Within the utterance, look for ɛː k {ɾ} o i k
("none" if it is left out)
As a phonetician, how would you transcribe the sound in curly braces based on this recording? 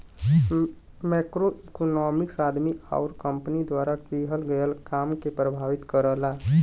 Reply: ɾ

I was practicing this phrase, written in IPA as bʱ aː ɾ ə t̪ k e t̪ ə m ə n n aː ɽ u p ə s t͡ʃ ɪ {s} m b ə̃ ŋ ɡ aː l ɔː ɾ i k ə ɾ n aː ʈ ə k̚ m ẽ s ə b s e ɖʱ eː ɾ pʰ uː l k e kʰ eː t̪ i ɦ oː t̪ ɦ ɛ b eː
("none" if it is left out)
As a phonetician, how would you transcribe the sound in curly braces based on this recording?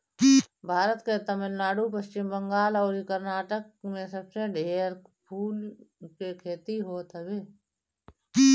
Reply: none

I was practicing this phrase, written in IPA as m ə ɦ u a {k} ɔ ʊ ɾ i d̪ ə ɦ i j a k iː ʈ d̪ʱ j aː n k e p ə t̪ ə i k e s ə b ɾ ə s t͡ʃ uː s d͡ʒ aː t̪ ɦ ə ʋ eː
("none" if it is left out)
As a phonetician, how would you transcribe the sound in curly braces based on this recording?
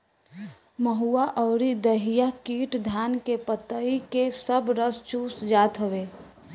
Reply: ʔ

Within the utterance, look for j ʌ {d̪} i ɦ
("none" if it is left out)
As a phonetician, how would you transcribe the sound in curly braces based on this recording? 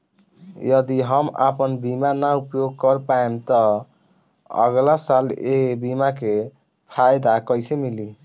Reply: d̪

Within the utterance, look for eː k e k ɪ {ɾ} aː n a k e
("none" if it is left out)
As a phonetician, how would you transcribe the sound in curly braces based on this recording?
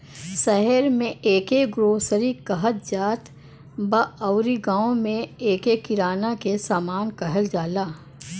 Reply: ɾ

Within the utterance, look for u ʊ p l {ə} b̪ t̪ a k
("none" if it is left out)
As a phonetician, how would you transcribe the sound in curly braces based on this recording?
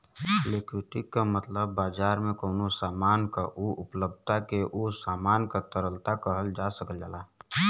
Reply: ə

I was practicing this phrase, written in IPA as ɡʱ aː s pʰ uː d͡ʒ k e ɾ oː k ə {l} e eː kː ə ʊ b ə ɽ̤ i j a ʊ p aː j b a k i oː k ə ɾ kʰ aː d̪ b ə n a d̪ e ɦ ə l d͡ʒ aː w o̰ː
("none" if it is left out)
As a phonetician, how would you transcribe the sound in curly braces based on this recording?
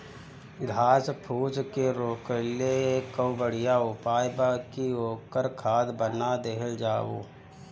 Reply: l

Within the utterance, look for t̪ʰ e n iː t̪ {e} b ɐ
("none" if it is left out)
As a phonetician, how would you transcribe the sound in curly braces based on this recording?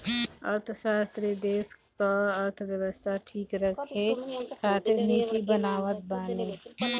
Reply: i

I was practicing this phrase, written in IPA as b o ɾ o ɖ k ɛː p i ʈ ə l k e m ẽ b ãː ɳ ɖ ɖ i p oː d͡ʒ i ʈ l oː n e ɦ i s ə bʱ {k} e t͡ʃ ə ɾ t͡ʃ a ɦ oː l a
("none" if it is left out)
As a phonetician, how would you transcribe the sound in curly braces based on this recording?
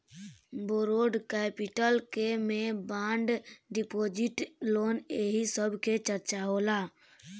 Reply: k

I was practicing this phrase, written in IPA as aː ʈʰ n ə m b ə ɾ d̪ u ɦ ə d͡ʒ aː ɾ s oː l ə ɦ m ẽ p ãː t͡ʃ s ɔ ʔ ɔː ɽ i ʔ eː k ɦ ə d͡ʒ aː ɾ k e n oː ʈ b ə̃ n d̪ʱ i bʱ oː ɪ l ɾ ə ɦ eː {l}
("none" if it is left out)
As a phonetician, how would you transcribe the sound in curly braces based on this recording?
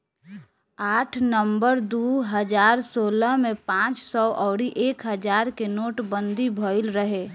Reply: none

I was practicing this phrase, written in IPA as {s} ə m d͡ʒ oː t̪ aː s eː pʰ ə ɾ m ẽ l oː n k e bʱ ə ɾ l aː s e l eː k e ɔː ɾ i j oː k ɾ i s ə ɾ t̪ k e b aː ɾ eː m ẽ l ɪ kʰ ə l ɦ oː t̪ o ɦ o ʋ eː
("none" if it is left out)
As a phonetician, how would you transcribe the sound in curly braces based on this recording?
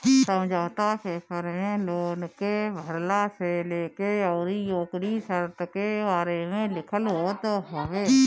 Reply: s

